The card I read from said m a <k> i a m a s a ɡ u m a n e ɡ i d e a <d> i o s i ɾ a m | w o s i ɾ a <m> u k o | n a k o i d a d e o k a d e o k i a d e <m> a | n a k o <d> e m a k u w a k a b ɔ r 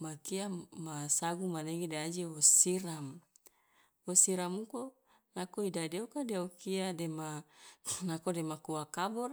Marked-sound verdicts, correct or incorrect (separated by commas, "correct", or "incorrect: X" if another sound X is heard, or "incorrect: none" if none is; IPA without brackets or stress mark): correct, incorrect: d͡ʒ, correct, correct, correct